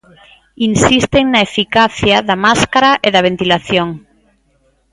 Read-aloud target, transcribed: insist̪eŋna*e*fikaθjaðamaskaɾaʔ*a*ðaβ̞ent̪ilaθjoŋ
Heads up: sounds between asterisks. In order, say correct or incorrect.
correct, incorrect

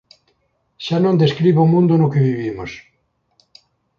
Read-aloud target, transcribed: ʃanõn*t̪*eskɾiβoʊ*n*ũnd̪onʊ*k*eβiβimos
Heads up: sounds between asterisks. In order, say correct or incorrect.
incorrect, incorrect, correct

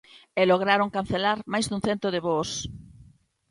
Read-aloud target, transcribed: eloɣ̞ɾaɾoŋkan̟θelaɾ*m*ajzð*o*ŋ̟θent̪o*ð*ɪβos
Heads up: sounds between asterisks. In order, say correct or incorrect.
correct, incorrect, correct

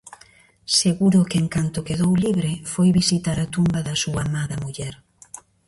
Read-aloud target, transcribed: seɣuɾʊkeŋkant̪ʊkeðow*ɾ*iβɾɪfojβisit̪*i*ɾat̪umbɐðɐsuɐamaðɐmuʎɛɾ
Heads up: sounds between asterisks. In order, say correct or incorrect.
incorrect, incorrect

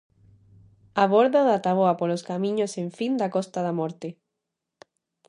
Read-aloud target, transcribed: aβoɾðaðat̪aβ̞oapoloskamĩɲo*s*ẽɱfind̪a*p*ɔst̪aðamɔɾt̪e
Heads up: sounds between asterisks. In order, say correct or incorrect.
correct, incorrect

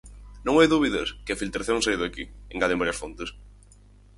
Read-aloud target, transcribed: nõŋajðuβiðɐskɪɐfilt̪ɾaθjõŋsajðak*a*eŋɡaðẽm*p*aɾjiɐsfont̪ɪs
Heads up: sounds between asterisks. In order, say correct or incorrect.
incorrect, incorrect

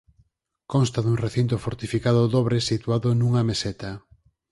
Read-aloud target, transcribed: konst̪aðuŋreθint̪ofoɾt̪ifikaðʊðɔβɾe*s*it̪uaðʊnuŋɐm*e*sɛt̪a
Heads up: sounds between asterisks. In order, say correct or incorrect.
correct, correct

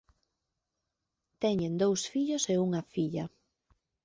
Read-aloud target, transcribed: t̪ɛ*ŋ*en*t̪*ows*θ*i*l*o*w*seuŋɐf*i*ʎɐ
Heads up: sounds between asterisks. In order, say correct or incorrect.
incorrect, incorrect, incorrect, incorrect, incorrect, correct

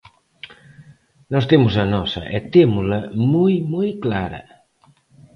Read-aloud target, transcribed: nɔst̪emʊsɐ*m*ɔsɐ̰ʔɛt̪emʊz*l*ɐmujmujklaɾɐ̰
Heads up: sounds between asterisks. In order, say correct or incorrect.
incorrect, correct

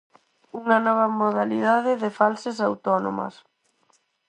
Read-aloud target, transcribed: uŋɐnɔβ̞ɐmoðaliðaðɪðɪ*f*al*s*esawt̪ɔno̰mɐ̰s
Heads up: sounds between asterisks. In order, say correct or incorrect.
correct, correct

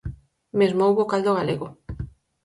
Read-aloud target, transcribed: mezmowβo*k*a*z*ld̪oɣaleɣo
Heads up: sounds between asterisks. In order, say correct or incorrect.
correct, incorrect

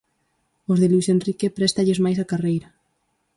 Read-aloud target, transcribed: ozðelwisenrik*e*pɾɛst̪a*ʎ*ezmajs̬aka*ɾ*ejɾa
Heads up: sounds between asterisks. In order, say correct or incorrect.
correct, correct, incorrect

